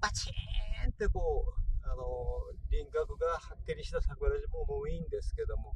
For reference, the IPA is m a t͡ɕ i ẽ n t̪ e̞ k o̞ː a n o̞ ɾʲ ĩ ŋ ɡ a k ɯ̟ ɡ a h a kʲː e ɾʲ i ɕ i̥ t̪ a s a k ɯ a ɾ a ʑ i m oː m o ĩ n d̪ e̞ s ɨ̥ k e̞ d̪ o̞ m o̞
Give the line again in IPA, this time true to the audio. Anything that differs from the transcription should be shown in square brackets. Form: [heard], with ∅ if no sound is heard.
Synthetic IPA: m a t͡ɕ i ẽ n t̪ e̞ k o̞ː a n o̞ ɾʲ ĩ ŋ ɡ a k ɯ̟ ɡ a h a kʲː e ɾʲ i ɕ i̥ t̪ a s a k ɯ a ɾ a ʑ i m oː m o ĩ n d̪ e̞ s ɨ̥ k e̞ d̪ o̞ m o̞

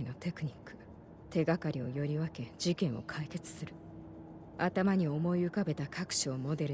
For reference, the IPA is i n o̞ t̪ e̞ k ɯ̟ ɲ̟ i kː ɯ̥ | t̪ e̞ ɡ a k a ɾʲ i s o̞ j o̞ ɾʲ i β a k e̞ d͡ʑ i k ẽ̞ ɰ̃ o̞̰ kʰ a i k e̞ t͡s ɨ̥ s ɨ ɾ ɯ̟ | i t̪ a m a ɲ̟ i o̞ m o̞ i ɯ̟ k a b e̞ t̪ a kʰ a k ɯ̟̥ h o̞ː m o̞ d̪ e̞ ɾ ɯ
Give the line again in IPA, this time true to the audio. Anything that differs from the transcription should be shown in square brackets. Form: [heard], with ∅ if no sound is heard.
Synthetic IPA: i n o̞ t̪ e̞ k ɯ̟ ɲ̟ i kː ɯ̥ | t̪ e̞ ɡ a k a ɾʲ i [∅] o̞ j o̞ ɾʲ i β a k e̞ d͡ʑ i k ẽ̞ ɰ̃ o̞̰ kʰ a i k e̞ t͡s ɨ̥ s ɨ ɾ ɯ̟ | [a] t̪ a m a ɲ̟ i o̞ m o̞ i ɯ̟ k a b e̞ t̪ a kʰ a k ɯ̟̥ [ɕ] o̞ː m o̞ d̪ e̞ ɾ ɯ

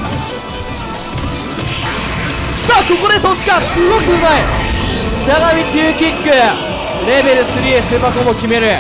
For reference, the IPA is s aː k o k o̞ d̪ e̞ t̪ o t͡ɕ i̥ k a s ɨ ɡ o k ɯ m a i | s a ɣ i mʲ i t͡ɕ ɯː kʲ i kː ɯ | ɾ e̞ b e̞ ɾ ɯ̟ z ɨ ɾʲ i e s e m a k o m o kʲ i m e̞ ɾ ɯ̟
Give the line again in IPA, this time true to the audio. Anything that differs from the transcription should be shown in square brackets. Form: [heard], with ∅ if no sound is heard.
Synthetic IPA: s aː k o k o̞ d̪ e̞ t̪ o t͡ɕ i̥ k a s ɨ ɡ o k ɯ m a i | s a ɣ [a] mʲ i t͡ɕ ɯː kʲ i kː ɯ | ɾ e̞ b e̞ ɾ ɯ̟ [s] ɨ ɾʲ i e s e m a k o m o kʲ i m e̞ ɾ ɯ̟

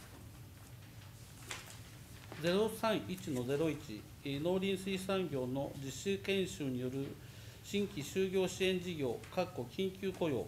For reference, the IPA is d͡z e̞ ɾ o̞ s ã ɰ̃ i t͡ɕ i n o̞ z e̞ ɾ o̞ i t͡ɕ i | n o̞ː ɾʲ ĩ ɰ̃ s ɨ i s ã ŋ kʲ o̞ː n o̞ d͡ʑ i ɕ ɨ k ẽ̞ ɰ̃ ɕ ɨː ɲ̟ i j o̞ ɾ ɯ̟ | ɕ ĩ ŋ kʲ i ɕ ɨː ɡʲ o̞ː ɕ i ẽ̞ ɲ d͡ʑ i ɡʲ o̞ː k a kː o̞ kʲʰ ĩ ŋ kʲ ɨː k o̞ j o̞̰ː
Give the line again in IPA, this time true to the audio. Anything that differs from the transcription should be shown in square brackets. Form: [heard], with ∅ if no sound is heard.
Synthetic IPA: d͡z e̞ ɾ o̞ s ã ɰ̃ i t͡ɕ i n o̞ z e̞ ɾ o̞ i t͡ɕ i | n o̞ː ɾʲ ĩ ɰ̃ s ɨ i s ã ŋ [ɡʲ] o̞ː n o̞ d͡ʑ i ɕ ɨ k ẽ̞ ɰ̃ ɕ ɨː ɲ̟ i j o̞ ɾ ɯ̟ | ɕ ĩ ŋ kʲ i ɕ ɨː ɡʲ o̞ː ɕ i ẽ̞ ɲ d͡ʑ i ɡʲ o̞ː k a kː o̞ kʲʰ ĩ ŋ kʲ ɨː k o̞ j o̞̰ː

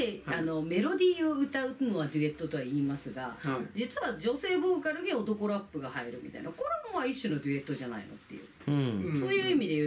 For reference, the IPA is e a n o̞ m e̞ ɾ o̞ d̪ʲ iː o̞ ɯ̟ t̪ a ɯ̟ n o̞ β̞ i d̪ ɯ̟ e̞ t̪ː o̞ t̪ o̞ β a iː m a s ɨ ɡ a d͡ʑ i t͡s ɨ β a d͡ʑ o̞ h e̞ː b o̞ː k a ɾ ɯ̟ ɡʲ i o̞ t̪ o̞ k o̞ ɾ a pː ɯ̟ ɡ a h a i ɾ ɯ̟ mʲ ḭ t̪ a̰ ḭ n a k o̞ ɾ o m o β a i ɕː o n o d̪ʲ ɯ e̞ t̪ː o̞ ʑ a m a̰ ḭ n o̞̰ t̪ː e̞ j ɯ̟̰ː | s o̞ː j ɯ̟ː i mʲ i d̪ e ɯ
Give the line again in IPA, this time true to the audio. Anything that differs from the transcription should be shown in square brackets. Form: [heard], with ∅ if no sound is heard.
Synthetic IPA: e a n o̞ m e̞ ɾ o̞ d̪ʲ iː o̞ ɯ̟ t̪ a ɯ̟ n o̞ β̞ [a] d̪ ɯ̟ e̞ t̪ː o̞ t̪ o̞ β a iː m a s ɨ ɡ a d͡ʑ i t͡s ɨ β a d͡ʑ o̞ [s] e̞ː b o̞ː k a ɾ ɯ̟ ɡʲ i o̞ t̪ o̞ k o̞ ɾ a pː ɯ̟ ɡ a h a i ɾ ɯ̟ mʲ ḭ t̪ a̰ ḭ n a k o̞ ɾ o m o β a i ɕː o n o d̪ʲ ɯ e̞ t̪ː o̞ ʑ a [n] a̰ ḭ n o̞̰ t̪ː e̞ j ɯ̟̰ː | s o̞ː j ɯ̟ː i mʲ i d̪ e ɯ

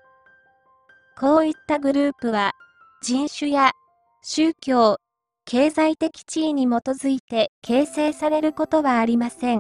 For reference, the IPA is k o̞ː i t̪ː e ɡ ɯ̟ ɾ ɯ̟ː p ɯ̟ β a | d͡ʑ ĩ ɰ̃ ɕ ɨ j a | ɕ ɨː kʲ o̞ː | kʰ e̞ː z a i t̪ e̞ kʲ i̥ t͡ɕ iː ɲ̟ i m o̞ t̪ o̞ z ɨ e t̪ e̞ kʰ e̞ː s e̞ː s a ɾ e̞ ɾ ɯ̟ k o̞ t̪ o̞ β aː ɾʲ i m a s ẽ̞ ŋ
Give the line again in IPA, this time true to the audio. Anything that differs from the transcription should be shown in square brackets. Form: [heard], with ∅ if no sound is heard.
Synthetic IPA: k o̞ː i t̪ː [a] ɡ ɯ̟ ɾ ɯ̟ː p ɯ̟ β a | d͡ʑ ĩ ɰ̃ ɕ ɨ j a | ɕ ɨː kʲ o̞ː | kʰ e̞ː z a i t̪ e̞ kʲ i̥ t͡ɕ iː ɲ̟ i m o̞ t̪ o̞ z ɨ [i] t̪ e̞ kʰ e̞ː s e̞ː s a ɾ e̞ ɾ ɯ̟ k o̞ t̪ o̞ β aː ɾʲ i m a s ẽ̞ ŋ

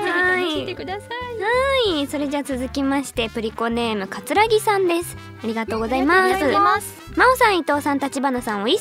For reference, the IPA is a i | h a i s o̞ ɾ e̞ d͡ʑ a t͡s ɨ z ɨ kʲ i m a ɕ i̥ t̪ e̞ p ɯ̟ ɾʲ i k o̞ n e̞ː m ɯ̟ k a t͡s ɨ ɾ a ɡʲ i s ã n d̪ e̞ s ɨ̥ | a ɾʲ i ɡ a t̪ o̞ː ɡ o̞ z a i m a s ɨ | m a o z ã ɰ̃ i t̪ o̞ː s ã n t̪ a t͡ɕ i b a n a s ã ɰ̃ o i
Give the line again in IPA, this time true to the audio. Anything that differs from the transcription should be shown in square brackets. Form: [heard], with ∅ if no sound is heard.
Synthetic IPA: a i | h a i s o̞ ɾ e̞ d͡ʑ a t͡s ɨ z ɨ kʲ i m a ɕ i̥ t̪ e̞ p ɯ̟ ɾʲ i k o̞ n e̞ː m ɯ̟ k a t͡s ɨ ɾ a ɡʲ i s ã n d̪ e̞ s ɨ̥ | a ɾʲ i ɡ a t̪ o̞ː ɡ o̞ z a i m a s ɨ | m a o [s] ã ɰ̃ i t̪ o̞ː s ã n t̪ a t͡ɕ i b a n a s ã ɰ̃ o i

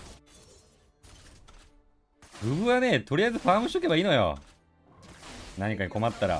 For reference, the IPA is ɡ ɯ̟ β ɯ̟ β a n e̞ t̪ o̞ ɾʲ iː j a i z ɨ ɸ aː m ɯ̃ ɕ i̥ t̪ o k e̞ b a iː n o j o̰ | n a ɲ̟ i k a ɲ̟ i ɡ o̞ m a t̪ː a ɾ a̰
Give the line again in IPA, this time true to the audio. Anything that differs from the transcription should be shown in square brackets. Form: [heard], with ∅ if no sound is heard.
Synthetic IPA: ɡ ɯ̟ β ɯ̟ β a n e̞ t̪ o̞ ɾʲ [i] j a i z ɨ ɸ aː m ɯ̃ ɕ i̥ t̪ o k e̞ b a iː n o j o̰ | n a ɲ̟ i k a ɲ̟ i [k] o̞ m a t̪ː a ɾ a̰

